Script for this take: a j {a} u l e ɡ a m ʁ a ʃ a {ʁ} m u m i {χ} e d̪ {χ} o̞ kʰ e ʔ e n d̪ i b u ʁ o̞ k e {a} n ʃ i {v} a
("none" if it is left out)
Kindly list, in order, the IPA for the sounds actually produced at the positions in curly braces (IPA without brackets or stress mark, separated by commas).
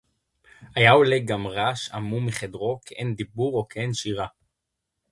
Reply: a, none, χ, ʁ, e, ʁ